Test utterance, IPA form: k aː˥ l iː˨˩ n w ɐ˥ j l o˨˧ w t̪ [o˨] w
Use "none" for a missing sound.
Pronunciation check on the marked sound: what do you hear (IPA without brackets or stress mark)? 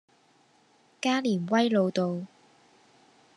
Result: o˨